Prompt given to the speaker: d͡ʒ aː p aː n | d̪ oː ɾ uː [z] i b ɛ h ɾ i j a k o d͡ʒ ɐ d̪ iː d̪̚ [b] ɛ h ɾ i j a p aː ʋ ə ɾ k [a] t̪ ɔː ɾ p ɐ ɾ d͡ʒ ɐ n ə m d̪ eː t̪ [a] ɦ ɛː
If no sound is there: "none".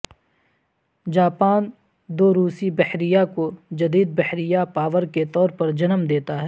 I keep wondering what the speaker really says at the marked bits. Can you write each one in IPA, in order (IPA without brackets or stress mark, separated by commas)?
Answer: s, b, e, a